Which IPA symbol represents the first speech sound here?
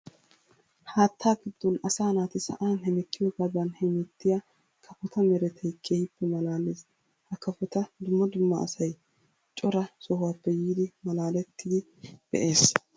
h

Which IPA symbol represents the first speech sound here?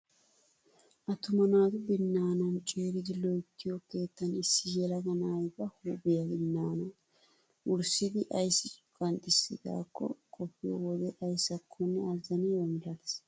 ʔ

